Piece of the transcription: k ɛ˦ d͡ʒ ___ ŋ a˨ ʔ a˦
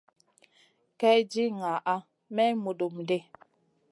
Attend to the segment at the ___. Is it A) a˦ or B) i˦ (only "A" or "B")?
B